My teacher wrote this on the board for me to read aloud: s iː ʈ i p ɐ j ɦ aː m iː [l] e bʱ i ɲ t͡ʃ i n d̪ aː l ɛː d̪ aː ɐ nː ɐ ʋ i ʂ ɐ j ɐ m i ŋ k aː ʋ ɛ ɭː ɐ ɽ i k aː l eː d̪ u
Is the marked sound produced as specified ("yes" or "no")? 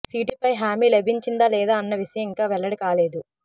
yes